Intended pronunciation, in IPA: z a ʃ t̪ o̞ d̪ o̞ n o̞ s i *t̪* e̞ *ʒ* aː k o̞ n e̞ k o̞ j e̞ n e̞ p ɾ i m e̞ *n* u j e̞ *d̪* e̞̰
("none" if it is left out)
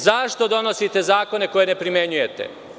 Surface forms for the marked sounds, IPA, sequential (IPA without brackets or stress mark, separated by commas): t̪, z, ɲ, t̪